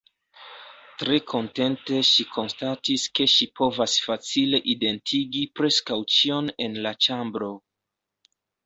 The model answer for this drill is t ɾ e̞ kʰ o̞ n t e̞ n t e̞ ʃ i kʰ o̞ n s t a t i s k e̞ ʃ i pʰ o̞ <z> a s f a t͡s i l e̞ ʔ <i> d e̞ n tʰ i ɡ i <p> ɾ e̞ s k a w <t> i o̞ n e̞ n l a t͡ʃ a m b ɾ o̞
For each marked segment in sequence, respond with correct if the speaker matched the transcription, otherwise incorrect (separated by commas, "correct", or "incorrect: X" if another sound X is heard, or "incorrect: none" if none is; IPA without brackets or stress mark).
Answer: incorrect: v, correct, correct, incorrect: t͡ʃ